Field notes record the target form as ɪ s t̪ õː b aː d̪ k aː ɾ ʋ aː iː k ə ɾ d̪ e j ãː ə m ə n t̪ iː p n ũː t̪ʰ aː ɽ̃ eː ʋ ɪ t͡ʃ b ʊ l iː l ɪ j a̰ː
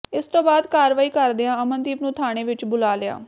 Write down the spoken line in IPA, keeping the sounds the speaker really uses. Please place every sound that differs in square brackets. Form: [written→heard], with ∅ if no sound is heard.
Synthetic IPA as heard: ɪ s t̪ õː b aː d̪ k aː ɾ ʋ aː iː k ə ɾ d̪ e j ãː ə m ə n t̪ iː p n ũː t̪ʰ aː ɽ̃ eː ʋ ɪ t͡ʃ b ʊ l [iː→aː] l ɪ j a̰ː